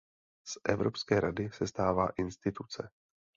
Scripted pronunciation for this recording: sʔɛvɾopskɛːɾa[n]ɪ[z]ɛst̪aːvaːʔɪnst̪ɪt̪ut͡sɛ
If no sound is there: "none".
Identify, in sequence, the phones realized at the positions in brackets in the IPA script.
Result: d, s

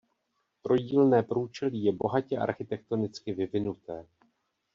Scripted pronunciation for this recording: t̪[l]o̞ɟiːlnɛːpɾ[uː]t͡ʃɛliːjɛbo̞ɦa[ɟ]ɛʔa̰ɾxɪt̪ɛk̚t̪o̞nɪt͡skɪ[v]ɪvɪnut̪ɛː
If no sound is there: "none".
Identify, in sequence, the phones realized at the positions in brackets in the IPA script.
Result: ɾ, uː, c, v

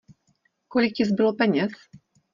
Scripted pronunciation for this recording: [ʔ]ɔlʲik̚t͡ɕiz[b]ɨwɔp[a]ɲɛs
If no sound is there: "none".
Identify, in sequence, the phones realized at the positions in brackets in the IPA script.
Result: k, b, ɛ

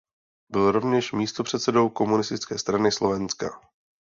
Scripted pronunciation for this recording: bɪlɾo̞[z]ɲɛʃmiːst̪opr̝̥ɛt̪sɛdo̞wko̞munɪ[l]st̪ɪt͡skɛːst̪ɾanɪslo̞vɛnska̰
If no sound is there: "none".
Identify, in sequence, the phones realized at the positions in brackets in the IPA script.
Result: v, none

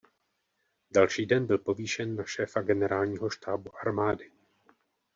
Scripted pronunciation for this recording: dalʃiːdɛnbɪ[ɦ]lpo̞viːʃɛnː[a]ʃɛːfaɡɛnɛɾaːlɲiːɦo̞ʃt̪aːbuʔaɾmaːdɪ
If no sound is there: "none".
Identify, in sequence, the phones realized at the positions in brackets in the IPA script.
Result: none, a

